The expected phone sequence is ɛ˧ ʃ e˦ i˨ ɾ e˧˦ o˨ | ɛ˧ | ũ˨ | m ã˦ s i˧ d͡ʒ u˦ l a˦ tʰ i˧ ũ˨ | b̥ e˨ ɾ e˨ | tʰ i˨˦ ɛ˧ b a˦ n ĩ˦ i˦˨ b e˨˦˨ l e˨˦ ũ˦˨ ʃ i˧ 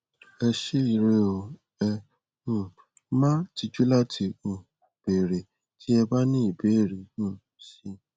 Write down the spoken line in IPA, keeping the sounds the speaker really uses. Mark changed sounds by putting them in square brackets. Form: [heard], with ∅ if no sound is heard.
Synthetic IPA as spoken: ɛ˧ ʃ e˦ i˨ ɾ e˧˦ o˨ | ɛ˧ | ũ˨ | m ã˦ [t] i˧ d͡ʒ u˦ l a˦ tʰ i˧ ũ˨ | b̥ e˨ ɾ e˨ | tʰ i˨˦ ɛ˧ b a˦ n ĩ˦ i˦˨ b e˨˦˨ [ɾ] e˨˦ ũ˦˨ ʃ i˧